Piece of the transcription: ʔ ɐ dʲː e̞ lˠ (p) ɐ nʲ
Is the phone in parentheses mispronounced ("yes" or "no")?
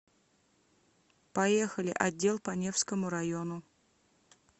no